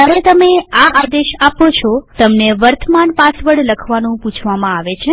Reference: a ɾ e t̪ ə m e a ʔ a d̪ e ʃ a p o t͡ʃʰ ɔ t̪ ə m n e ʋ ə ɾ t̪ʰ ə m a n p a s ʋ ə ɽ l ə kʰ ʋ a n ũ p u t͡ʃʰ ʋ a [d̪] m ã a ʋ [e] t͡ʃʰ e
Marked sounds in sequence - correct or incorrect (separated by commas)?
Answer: incorrect, correct